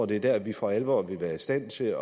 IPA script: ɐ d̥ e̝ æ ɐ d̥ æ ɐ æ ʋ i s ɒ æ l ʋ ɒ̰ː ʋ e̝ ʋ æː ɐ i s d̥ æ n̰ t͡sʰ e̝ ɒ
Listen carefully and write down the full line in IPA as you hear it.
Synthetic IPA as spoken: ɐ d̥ e̝ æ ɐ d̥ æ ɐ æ ʋ i f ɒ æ l ʋ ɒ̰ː ʋ e̝ ʋ æː ɐ i s d̥ æ n̰ t͡sʰ e̝ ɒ